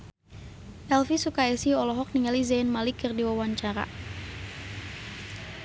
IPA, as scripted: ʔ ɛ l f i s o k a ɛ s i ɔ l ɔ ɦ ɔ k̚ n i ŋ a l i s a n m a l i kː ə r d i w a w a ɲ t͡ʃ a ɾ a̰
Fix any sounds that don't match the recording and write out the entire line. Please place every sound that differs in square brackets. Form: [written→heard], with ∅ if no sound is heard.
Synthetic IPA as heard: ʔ ɛ l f i s [o→u] k a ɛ s i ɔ l ɔ ɦ ɔ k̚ n i ŋ a l i [s→z] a n m a l i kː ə r d i w a w a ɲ t͡ʃ a ɾ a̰